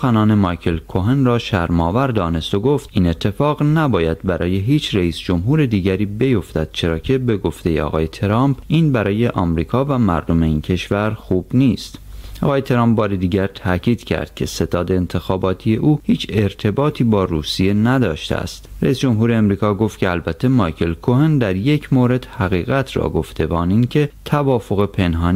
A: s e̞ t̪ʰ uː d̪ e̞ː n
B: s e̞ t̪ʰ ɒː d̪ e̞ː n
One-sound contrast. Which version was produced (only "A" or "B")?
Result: B